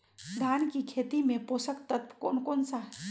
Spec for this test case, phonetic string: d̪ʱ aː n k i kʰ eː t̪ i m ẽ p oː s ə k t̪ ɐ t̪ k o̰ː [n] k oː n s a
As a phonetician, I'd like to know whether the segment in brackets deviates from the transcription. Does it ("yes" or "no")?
no